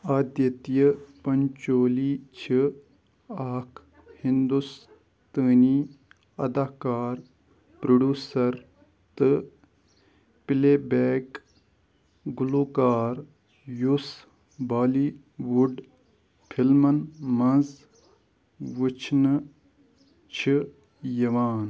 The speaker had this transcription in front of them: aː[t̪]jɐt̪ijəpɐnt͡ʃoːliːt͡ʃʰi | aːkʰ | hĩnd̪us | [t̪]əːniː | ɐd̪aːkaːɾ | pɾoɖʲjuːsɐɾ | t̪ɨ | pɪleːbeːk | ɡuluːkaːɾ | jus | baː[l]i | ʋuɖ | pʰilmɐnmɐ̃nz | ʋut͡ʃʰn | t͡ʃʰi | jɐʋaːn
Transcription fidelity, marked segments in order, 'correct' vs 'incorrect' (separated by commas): incorrect, correct, correct